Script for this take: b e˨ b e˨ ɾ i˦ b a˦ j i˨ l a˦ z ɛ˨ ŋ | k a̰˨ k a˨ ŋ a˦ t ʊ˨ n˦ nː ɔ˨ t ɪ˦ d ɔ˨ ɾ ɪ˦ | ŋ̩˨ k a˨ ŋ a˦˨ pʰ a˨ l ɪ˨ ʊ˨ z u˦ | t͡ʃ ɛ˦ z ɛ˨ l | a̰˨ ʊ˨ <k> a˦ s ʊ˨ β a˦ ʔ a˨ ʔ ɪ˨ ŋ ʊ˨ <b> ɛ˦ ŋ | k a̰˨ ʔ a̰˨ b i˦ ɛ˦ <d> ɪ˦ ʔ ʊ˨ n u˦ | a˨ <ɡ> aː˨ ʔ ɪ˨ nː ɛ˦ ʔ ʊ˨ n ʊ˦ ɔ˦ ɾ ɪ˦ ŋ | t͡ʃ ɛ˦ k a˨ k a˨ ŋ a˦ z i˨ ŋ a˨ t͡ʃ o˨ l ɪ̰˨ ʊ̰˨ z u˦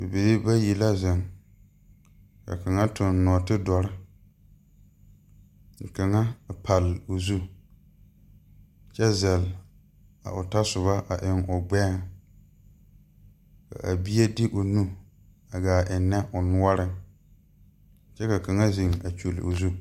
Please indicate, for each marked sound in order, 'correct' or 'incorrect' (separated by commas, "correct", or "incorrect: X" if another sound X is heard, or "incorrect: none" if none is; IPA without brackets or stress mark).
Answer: incorrect: t, incorrect: ɡ͡b, correct, correct